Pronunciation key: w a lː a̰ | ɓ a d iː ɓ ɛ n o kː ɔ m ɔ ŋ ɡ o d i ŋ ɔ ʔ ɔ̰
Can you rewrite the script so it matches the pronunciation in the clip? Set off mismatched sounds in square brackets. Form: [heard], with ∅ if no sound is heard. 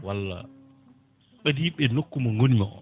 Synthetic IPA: w a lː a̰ | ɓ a d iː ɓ ɛ n o kː [u] m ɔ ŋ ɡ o [n] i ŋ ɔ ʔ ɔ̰